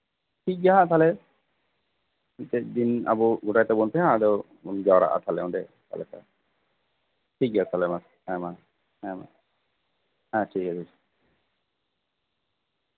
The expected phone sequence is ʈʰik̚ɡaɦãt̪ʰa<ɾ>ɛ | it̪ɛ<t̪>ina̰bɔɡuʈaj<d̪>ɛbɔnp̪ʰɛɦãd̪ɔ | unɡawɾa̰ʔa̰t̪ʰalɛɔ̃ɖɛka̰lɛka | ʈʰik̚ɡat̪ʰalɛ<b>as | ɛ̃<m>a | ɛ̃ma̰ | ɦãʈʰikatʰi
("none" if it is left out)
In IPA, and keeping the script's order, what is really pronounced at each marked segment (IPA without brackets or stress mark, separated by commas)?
l, d̪, t̪, m, m